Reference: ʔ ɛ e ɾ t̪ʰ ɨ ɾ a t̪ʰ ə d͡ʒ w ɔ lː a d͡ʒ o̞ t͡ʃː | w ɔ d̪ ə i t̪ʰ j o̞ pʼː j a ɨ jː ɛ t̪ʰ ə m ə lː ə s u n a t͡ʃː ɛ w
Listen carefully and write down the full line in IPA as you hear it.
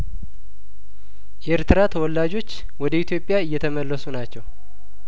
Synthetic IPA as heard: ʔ ɛ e ɾ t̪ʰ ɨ ɾ a t̪ʰ ə w ɔ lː a d͡ʒ o̞ t͡ʃː | w ɔ d̪ ə i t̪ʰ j o̞ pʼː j a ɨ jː ɛ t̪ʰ ə m ə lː ə s u n a t͡ʃː ɛ w